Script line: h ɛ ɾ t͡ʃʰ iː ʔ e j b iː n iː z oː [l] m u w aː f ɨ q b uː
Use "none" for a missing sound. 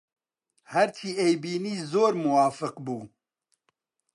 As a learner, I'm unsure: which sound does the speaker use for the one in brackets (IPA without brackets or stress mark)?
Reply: ɾ